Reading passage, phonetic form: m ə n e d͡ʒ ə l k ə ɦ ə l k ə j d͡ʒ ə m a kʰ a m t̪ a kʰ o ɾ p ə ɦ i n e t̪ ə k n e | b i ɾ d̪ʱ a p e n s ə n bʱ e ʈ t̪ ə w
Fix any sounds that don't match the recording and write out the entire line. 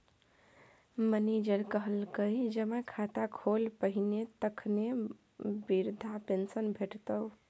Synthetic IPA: m ə n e d͡ʒ ə ɾ k ə ɦ ə l k ə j d͡ʒ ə m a kʰ a t̪ a kʰ o l p ə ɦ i n e t̪ ə kʰ n e | b i ɾ d̪ʱ a p e n s ə n bʱ e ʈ t̪ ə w

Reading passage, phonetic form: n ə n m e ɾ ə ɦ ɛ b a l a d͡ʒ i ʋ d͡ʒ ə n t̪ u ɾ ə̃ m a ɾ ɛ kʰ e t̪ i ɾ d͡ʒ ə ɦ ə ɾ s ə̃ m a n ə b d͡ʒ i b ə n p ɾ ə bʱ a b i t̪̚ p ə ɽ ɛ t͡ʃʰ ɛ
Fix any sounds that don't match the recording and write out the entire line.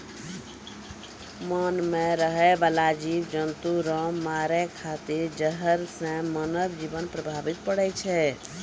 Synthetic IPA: m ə n m e ɾ ə ɦ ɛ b a l a d͡ʒ i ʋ d͡ʒ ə n t̪ u ɾ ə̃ m a ɾ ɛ kʰ a t̪ i ɾ d͡ʒ ə ɦ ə ɾ s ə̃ m ə n ə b d͡ʒ i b ə n p ɾ ə bʱ a b i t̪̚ p ə ɽ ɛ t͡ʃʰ ɛ

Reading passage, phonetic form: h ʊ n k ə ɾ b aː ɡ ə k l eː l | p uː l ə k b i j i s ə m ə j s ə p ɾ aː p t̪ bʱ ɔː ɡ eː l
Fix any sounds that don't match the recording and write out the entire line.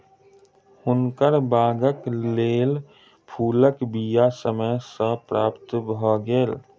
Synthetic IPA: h ʊ n k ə ɾ b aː ɡ ə k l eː l | pʰ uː l ə k b i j a s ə m ə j s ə p ɾ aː p t̪ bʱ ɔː ɡ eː l

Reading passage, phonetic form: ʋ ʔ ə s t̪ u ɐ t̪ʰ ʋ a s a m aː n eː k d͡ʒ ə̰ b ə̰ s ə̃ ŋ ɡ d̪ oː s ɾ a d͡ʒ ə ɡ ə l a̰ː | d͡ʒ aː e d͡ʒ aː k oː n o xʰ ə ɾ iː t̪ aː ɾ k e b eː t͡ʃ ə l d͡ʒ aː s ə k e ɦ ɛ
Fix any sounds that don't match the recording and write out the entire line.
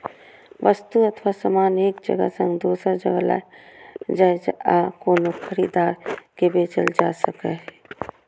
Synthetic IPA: ʋ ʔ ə s t̪ u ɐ t̪ʰ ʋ a s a m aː n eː k d͡ʒ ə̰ ɡ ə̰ s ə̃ ŋ ɡ d̪ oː s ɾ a d͡ʒ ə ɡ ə l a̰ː | d͡ʒ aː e d͡ʒ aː k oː n o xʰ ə ɾ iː d̪ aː ɾ k e b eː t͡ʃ ə l d͡ʒ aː s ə k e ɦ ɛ

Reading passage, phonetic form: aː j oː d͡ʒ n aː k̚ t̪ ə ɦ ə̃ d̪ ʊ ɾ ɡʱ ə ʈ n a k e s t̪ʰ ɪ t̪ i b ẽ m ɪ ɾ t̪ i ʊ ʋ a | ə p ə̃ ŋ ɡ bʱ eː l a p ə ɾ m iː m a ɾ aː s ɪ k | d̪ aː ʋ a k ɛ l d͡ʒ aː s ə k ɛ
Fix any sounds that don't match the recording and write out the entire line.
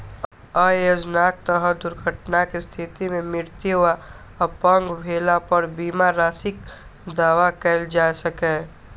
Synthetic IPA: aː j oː d͡ʒ n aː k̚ t̪ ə ɦ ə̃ d̪ ʊ ɾ ɡʱ ə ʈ n a k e s t̪ʰ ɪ t̪ i m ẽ m ɪ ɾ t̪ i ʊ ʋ a | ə p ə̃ ŋ ɡ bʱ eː l a p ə ɾ b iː m a ɾ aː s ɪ k | d̪ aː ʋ a k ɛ l d͡ʒ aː s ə k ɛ

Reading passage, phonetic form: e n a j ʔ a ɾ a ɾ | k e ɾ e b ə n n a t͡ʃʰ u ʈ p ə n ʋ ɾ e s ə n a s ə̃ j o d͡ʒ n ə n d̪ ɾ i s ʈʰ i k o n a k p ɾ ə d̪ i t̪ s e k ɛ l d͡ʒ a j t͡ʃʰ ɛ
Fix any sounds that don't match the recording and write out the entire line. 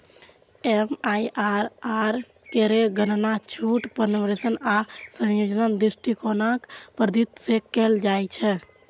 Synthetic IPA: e m a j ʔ a ɾ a ɾ | k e ɾ e ɡ ə n n a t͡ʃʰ u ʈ p ə n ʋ ɾ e s ə n a s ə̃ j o d͡ʒ n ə n d̪ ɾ i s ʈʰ i k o n a k p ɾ ə d̪ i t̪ s e k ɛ l d͡ʒ a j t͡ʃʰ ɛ

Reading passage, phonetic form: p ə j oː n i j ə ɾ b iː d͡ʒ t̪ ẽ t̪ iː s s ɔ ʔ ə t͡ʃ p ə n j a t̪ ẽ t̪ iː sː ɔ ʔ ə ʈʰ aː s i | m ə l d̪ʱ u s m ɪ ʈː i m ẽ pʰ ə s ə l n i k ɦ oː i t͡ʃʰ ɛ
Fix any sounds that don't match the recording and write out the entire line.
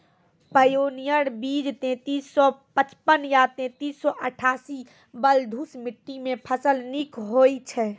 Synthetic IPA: p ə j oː n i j ə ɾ b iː d͡ʒ t̪ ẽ t̪ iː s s ɔ p ə t͡ʃ p ə n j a t̪ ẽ t̪ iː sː ɔ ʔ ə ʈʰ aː s i | b ə l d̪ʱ u s m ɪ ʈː i m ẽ pʰ ə s ə l n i k ɦ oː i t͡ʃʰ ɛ

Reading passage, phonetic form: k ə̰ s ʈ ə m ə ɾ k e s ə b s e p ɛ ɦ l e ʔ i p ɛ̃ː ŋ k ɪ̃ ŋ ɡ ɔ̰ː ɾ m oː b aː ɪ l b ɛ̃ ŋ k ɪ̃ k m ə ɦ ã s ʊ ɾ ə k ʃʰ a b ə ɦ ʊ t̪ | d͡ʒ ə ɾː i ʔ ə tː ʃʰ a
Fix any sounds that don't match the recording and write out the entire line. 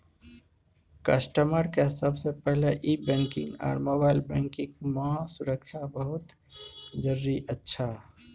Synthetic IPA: k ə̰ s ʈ ə m ə ɾ k e s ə b s e p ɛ ɦ l e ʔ i b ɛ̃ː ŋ k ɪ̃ ŋ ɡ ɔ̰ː ɾ m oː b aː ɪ l b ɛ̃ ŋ k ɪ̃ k m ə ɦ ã s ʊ ɾ ə k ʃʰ a b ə ɦ ʊ t̪ | d͡ʒ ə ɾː i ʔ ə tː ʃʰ a

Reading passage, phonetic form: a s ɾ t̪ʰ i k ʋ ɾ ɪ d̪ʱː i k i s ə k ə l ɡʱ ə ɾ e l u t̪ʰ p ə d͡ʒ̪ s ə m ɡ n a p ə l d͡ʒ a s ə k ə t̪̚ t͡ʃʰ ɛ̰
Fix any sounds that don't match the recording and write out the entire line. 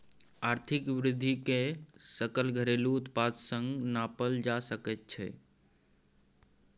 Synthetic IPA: a ɾ t̪ʰ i k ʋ ɾ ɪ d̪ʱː i k e s ə k ə l ɡʱ ə ɾ e l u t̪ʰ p a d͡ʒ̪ s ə ŋ ɡ n a p ə l d͡ʒ a s ə k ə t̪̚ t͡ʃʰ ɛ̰

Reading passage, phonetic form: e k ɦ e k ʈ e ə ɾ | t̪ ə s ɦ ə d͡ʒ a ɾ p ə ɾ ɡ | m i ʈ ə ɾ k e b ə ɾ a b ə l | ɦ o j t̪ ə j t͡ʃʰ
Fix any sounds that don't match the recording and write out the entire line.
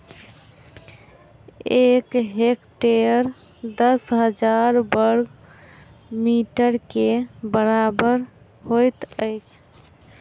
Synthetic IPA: e k ɦ e k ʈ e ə ɾ | d̪ ə s ɦ ə d͡ʒ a ɾ b ə ɾ ɡ | m i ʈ ə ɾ k e b ə ɾ a b ə ɾ | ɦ o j t̪ ə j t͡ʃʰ

